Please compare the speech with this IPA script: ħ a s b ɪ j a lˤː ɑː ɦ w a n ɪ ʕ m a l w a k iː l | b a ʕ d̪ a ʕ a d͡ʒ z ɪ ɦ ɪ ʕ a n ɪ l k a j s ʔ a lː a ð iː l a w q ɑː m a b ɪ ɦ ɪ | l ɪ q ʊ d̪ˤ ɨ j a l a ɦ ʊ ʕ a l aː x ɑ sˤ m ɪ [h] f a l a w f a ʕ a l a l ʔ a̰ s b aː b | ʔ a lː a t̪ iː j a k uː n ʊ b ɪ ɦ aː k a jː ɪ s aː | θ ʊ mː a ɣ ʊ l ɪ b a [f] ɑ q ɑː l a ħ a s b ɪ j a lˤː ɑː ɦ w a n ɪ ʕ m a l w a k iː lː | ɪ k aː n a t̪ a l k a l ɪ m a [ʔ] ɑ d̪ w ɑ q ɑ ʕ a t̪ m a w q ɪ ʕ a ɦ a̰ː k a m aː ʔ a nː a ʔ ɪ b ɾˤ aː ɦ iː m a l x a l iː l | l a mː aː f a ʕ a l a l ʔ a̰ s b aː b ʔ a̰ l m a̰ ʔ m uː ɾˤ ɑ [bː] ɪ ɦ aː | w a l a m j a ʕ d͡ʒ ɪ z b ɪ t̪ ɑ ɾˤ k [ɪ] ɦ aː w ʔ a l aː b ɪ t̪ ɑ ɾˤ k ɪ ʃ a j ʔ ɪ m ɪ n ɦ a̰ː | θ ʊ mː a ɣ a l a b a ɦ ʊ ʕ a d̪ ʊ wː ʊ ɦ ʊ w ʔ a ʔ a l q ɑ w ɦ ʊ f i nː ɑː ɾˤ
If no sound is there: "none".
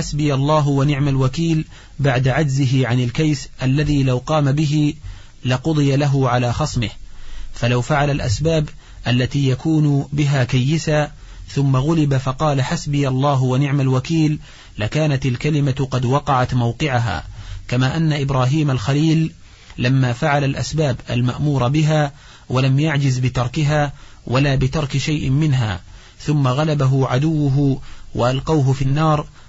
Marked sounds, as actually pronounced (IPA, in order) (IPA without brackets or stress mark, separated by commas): h, f, q, b, ɪ